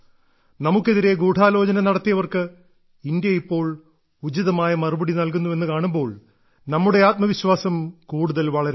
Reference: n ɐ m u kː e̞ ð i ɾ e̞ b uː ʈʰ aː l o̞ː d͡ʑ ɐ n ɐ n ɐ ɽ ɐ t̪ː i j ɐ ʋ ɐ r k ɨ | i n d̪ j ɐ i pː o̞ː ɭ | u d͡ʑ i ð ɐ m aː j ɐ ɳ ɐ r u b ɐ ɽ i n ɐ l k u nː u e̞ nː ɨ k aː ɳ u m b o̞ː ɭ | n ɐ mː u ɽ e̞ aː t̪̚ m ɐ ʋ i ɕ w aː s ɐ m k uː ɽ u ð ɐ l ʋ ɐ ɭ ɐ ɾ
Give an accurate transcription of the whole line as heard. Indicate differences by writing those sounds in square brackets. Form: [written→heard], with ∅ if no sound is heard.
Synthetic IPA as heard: n ɐ m u kː e̞ ð i ɾ e̞ [b→ɡ] uː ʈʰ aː l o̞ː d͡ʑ ɐ n ɐ n ɐ ɽ ɐ t̪ː i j ɐ ʋ ɐ r k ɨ | i n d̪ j ɐ i pː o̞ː ɭ | u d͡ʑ i ð ɐ m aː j ɐ [ɳ→m] ɐ r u b ɐ ɽ i n ɐ l k u nː u e̞ nː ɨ k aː ɳ u m b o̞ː ɭ | n ɐ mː u ɽ e̞ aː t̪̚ m ɐ ʋ i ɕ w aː s ɐ m k uː ɽ u ð ɐ l ʋ ɐ ɭ ɐ ɾ